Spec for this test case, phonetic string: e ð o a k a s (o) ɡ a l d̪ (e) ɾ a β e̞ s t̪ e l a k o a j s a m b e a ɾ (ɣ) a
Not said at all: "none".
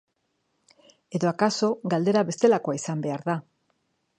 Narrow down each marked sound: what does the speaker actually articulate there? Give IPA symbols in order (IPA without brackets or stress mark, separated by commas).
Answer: o, e, ð